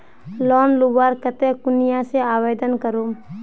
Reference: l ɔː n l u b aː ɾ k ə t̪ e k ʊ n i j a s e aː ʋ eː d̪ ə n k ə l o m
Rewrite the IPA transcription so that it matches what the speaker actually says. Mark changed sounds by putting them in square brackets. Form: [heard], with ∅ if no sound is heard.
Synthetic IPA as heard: l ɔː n l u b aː ɾ k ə t̪ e k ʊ n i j a s e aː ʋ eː d̪ ə n k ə [ɾ] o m

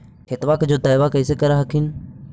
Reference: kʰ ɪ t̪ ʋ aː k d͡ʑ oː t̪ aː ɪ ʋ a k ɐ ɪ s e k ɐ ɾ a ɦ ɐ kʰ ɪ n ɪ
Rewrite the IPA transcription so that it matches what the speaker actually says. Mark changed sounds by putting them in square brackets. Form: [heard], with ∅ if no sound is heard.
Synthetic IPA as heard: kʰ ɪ t̪ ʋ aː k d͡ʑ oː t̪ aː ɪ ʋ a k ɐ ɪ s e k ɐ ɾ a ɦ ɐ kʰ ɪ n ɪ

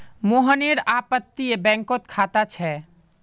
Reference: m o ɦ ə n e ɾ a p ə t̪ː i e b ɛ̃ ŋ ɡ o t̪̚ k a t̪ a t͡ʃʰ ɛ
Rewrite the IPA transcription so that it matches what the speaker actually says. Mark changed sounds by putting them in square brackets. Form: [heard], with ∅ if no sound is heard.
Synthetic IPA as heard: m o ɦ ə n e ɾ a p ə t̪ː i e b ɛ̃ ŋ [k] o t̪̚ [kʰ] a t̪ a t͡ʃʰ ɛ

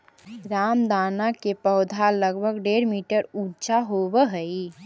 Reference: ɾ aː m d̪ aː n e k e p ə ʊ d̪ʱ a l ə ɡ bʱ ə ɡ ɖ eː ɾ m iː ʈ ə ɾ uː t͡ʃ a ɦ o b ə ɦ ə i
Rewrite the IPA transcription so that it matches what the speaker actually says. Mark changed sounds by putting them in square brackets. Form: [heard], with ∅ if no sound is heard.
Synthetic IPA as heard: ɾ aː m d̪ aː n [a] k e p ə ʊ d̪ʱ a l ə ɡ bʱ ə ɡ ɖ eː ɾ m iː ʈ ə ɾ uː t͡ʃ a ɦ o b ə ɦ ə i

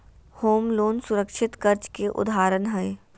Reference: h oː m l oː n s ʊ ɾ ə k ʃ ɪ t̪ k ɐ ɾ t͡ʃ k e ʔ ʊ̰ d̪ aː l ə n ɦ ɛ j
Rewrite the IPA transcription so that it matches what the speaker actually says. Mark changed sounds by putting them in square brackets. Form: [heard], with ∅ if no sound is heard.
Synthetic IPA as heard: h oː m l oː n s ʊ ɾ ə k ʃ ɪ t̪ k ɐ ɾ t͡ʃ k e ʔ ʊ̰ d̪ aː [ɾ] ə n ɦ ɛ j

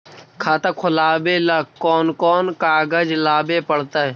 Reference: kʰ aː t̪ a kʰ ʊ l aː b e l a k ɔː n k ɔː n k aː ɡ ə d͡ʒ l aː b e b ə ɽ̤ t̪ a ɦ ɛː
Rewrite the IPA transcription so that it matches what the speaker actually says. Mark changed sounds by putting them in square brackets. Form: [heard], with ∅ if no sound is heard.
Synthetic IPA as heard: kʰ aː t̪ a kʰ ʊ l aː b e l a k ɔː n k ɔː n k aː ɡ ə d͡ʒ l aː b e [p] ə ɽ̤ t̪ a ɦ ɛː

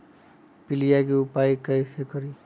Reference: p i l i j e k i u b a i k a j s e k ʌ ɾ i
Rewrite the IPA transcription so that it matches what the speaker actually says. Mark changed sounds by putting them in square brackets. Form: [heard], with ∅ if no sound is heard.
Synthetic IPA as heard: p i l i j [a] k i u [p] a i k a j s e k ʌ ɾ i

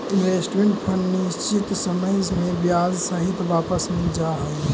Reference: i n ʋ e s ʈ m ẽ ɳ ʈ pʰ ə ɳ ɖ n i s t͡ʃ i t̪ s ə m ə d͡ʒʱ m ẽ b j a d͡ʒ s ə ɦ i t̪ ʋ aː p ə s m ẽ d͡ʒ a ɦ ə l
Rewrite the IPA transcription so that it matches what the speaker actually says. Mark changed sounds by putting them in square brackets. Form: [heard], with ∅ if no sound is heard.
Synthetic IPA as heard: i n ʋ e s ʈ m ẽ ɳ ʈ pʰ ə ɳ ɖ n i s t͡ʃ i t̪ s ə m ə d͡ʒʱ m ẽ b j a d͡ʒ s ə ɦ i t̪ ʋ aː p ə s m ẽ d͡ʒ a ɦ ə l

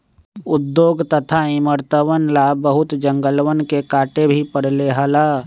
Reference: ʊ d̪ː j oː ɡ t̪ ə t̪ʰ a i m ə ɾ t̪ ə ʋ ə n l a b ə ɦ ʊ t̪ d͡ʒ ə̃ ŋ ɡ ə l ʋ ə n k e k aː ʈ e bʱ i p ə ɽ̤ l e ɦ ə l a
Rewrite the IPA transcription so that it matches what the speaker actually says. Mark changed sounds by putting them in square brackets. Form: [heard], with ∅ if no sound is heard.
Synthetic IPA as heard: ʊ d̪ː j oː ɡ t̪ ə t̪ʰ a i m ə ɾ t̪ ə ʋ ə n l a b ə ɦ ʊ t̪ d͡ʒ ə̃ ŋ ɡ ə l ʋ ə n k e k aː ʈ e bʱ i p ə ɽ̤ l e ɦ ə l a

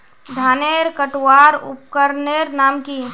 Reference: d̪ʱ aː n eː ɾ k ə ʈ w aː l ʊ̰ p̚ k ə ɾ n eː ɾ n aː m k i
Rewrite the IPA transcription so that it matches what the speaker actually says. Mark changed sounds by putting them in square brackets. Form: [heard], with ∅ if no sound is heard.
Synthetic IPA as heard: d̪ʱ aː n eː ɾ k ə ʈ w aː [ɾ] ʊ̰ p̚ k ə ɾ n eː ɾ n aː m k i

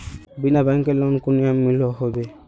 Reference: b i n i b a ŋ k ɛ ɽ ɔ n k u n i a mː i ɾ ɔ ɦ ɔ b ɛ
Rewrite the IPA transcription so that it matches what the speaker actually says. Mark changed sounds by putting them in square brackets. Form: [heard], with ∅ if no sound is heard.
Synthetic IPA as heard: b i n [a] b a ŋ k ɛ [l] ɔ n k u n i a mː i [l] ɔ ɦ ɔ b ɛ

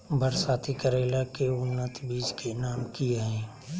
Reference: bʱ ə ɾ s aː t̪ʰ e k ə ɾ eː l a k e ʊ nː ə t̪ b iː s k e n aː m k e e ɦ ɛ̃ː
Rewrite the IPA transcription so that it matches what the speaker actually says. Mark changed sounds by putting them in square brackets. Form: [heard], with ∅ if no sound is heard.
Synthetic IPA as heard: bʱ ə ɾ s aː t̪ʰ [i] k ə ɾ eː l a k e ʊ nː ə t̪ b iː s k e n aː m k [i] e ɦ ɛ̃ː

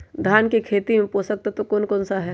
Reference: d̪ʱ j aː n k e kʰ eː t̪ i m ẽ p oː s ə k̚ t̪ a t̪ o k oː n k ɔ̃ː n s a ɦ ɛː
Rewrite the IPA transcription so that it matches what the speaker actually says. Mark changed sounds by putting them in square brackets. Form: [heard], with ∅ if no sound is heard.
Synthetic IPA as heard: d̪ʱ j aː n k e kʰ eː t̪ i m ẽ p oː s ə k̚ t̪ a t̪ o k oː n k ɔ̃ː n s a ɦ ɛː

